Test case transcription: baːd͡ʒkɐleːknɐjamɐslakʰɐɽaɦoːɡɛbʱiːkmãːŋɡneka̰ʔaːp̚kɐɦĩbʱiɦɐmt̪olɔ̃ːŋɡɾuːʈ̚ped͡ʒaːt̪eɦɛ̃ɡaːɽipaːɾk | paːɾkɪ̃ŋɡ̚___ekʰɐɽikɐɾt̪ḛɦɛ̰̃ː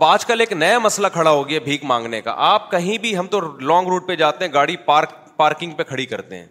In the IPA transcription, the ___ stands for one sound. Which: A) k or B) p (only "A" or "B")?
B